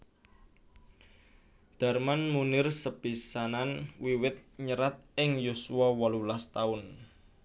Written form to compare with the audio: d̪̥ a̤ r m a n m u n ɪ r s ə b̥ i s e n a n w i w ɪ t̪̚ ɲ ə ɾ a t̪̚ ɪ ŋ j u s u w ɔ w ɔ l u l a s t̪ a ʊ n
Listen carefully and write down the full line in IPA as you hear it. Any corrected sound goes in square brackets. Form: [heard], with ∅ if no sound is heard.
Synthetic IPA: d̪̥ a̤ r m a n m u n ɪ r s ə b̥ i s [a] n a n w i w ɪ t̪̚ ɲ ə ɾ a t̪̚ ɪ ŋ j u s u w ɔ w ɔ l u l a s t̪ a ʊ n